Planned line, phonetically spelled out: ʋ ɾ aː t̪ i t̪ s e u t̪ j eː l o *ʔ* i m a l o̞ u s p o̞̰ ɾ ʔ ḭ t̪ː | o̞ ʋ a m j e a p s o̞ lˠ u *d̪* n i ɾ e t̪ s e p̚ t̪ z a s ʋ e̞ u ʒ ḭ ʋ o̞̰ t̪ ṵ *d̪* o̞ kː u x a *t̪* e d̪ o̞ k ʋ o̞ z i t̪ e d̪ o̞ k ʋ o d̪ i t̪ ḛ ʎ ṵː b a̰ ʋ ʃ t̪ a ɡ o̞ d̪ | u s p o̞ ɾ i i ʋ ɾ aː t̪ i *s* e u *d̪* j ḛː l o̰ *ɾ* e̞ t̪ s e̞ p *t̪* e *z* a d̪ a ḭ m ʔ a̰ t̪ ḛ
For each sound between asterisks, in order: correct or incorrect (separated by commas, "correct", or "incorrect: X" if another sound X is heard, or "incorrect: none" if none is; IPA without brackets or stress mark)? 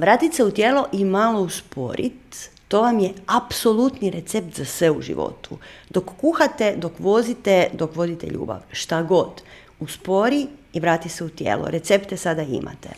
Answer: correct, incorrect: t̪, correct, correct, correct, incorrect: t̪, correct, correct, incorrect: s